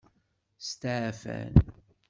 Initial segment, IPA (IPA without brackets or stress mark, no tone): s